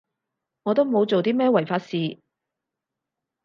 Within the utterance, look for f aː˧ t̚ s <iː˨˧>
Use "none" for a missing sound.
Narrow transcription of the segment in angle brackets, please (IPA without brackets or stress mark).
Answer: iː˨˧